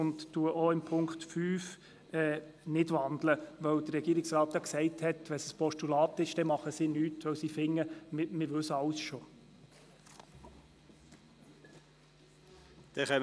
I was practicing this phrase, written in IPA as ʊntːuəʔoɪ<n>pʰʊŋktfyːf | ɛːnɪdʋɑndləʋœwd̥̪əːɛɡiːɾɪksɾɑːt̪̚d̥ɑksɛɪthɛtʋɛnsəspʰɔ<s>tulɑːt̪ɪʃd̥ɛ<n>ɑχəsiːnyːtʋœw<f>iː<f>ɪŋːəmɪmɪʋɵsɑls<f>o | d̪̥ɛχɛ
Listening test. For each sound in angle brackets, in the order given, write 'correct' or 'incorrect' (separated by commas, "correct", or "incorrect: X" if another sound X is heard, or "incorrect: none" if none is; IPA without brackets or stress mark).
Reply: incorrect: m, incorrect: ʃ, incorrect: m, incorrect: s, correct, incorrect: ʃ